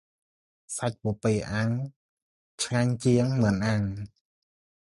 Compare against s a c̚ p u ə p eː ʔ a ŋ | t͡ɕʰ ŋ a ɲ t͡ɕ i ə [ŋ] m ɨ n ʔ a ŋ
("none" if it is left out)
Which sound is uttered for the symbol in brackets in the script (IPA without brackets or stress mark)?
ŋ